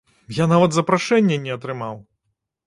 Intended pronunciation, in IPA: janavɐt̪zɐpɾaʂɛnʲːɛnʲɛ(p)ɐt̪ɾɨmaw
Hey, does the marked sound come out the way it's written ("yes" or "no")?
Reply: no